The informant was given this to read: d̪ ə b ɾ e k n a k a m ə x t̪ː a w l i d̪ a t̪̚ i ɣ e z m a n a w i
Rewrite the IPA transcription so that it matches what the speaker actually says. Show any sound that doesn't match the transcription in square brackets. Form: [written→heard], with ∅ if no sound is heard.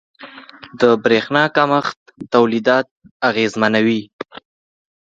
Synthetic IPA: d̪ ə b ɾ e [k→x] n [a→ɑ] k a m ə x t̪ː a w l i d̪ [a→ɑ] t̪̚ [i→a] ɣ e z m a n a w i